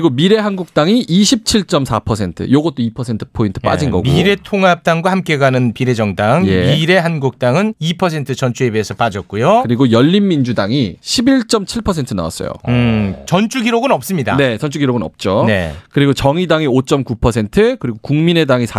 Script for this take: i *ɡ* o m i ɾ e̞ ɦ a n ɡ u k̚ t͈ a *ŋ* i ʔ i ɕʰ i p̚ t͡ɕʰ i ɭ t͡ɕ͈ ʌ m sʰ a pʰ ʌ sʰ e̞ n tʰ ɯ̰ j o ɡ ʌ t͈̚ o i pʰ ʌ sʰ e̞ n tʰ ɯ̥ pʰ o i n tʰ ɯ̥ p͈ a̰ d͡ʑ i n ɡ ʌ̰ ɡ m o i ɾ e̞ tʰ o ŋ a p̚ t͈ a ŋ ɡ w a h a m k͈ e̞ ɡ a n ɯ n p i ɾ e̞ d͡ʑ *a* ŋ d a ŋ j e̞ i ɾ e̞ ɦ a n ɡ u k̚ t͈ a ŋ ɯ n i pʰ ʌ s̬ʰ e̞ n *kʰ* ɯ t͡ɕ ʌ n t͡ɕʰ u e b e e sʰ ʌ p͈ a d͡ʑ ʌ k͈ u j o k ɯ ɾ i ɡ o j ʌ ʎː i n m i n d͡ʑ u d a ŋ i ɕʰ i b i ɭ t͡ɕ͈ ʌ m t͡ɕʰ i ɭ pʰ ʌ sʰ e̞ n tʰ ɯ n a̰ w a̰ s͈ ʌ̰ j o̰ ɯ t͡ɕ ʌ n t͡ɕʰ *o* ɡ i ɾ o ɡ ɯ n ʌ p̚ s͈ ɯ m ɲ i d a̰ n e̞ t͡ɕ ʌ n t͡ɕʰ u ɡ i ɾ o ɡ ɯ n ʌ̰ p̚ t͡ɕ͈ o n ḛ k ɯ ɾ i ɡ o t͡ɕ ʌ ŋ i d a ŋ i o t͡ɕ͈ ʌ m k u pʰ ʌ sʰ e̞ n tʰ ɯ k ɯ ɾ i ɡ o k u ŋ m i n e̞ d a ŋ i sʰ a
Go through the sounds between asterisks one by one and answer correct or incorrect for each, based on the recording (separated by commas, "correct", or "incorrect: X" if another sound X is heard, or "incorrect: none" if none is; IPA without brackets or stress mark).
correct, correct, incorrect: ʌ, incorrect: tʰ, incorrect: u